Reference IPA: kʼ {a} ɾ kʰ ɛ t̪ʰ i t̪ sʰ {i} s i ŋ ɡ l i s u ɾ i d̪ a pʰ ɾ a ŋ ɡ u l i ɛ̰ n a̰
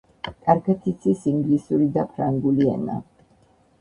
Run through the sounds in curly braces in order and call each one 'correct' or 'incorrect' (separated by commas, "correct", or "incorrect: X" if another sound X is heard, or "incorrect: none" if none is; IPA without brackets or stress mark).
correct, correct